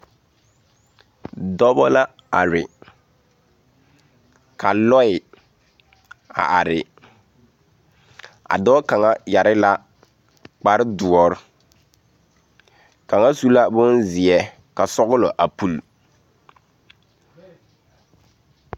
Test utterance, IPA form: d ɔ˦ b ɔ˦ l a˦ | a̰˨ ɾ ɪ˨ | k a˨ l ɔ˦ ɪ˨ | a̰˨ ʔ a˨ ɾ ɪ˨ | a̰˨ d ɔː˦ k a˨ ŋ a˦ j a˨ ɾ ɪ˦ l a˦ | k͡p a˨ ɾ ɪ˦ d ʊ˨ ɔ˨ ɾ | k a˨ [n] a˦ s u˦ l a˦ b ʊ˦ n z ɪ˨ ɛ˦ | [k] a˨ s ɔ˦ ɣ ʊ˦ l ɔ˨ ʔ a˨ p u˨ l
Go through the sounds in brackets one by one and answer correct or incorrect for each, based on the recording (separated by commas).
incorrect, correct